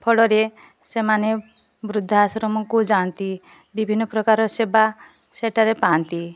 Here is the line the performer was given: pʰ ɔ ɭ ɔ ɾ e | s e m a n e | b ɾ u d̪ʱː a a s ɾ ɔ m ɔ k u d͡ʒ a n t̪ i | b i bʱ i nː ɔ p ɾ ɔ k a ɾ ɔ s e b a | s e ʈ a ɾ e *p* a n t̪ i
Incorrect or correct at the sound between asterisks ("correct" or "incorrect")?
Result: correct